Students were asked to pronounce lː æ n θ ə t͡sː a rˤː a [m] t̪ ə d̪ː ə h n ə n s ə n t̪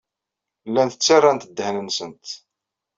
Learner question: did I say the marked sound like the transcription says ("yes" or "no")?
no